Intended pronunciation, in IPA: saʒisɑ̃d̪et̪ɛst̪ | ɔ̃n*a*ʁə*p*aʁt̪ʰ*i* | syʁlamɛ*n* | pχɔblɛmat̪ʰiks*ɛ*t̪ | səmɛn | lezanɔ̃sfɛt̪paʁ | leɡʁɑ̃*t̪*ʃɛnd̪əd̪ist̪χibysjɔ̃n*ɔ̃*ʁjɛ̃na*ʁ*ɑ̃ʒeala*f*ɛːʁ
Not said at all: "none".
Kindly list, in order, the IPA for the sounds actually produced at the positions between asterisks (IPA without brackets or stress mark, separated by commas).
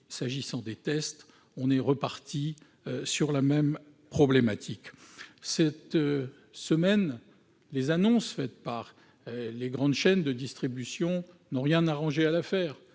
ɛ, p, i, m, ɛ, d̪, ɔ̃, ʁ, f